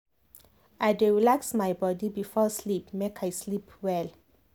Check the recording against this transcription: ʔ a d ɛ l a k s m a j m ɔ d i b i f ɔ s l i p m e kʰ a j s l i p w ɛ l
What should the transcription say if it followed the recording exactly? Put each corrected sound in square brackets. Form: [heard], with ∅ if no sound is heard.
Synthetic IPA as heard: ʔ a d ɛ l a k s m a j [b] ɔ d i b i f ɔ s l i p m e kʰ a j s l i p w ɛ l